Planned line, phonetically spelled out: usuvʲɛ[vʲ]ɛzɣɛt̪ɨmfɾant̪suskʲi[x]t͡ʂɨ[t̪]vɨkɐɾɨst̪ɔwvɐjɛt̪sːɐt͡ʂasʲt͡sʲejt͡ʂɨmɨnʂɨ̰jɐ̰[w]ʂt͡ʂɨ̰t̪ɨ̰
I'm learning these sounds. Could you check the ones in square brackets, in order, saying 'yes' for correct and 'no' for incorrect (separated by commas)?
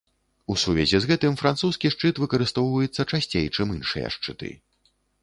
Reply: no, no, yes, no